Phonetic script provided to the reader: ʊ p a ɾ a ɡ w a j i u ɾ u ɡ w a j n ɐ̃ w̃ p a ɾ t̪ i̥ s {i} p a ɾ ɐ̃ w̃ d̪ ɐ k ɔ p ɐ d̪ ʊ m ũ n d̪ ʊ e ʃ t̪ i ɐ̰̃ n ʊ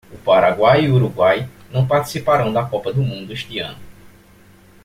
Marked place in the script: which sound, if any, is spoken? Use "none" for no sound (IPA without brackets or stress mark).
i